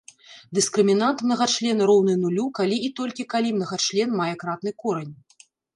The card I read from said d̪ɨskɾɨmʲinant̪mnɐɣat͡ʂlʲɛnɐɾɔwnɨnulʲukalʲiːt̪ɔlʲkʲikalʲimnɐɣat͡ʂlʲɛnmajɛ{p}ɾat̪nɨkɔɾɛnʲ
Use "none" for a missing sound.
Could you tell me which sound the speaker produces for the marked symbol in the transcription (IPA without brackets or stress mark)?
k